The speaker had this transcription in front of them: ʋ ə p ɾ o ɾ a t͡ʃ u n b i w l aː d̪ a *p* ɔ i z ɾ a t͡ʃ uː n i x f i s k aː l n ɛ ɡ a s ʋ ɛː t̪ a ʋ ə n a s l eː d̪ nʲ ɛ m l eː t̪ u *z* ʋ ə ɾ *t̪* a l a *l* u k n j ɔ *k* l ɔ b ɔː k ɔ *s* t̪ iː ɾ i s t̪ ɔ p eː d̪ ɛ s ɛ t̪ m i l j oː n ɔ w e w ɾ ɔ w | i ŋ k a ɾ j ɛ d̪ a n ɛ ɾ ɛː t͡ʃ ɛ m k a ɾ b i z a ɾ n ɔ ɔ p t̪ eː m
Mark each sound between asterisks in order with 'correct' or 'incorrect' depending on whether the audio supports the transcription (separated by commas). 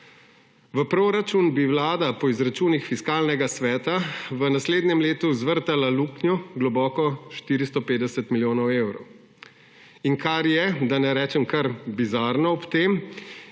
correct, correct, correct, correct, incorrect, incorrect